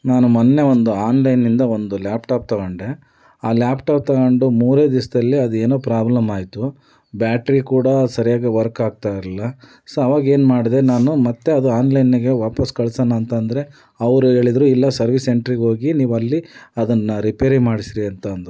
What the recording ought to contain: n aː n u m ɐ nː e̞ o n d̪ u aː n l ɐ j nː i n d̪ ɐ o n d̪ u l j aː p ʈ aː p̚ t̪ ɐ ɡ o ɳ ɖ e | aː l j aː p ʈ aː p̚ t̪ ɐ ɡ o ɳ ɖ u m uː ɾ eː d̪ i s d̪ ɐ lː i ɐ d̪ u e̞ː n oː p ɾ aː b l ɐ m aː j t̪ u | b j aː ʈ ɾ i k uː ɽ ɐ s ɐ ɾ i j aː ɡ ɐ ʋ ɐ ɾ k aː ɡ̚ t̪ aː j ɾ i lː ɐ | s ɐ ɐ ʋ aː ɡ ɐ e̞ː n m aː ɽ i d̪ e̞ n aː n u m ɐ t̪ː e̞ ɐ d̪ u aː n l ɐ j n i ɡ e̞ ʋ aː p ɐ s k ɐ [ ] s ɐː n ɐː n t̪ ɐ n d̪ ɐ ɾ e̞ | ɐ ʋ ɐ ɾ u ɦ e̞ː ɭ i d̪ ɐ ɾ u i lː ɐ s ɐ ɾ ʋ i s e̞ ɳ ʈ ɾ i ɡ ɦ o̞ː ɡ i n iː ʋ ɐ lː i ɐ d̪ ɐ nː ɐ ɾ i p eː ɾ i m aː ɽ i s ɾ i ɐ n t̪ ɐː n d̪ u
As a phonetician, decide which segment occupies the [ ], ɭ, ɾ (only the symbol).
ɭ